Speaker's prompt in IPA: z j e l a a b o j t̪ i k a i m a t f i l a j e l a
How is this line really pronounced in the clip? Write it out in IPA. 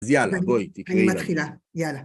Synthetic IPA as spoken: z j a l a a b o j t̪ i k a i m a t χ i l a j a l a